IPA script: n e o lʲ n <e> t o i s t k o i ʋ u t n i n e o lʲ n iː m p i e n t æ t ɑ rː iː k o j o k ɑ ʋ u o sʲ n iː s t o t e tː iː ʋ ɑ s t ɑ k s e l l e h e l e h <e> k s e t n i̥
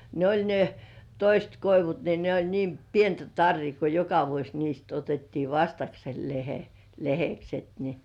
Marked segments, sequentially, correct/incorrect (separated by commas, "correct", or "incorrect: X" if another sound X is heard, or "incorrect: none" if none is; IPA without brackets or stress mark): correct, correct